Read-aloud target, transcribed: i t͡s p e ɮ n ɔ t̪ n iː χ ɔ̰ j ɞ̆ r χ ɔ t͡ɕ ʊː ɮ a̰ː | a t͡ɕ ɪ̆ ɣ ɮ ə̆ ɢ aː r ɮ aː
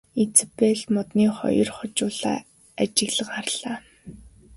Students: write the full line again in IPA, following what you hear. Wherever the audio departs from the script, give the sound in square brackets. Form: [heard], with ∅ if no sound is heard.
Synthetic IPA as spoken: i t͡s p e ɮ [m] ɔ t̪ n iː χ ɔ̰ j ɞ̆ r χ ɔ t͡ɕ ʊː ɮ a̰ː | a t͡ɕ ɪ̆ ɣ ɮ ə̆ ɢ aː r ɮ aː